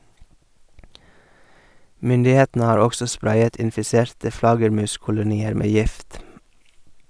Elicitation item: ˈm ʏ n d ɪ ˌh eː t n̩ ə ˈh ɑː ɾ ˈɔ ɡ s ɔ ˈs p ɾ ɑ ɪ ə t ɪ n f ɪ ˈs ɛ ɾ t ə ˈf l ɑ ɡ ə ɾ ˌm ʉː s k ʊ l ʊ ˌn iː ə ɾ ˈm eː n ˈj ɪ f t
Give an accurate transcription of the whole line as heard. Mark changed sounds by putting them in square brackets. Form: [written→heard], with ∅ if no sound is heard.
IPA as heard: ˈm ʏ n d ɪ ˌh eː t n̩ ə ˈh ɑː ɾ ˈɔ ɡ s ɔ ˈs p ɾ ɑ ɪ ə t ɪ n f ɪ ˈs ɛ ɾ t ə ˈf l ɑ ɡ ə ɾ ˌm ʉː s k ʊ l ʊ ˌn iː ə ɾ ˈm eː [n→∅] ˈj ɪ f t